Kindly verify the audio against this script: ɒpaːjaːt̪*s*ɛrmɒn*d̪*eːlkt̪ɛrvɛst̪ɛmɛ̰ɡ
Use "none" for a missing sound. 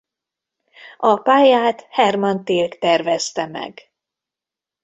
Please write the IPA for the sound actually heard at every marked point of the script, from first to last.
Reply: h, t̪

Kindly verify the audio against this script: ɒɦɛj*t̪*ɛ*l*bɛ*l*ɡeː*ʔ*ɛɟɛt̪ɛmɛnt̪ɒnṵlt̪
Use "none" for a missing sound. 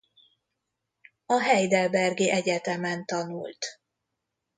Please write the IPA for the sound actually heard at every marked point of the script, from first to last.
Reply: d̪, l, r, ʔ

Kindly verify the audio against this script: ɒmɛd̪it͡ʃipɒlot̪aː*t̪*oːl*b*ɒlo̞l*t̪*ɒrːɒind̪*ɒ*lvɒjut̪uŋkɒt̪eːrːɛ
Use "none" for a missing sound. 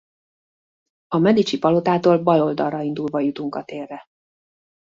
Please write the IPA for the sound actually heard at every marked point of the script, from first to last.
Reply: t̪, b, d̪, u

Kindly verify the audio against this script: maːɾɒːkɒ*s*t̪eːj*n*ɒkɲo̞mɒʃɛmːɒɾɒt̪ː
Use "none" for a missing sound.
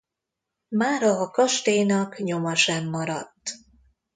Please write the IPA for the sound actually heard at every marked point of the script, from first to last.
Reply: ʃ, n

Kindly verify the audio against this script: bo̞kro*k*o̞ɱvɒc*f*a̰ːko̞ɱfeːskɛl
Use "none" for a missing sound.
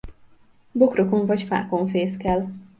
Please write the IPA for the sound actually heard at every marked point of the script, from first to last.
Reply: k, f

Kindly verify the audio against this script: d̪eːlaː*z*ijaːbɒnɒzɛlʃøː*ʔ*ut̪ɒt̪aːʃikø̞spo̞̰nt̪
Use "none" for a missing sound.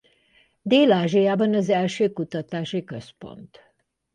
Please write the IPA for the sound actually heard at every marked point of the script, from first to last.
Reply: ʒ, k

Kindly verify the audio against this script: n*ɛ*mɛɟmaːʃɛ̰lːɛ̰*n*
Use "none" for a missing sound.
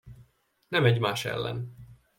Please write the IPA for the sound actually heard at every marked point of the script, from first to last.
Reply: ɛ, n

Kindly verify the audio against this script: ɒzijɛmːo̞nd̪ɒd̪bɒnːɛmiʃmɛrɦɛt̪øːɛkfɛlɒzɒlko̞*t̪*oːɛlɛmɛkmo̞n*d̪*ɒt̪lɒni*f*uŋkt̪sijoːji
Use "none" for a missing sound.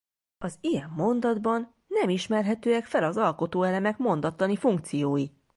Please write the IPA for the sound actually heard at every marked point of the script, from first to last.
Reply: t̪, d̪, f

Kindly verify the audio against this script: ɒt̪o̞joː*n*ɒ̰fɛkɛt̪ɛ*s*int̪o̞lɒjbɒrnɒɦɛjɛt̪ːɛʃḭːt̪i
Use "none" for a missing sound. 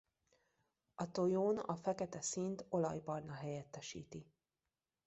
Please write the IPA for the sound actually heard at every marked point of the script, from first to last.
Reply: n, s

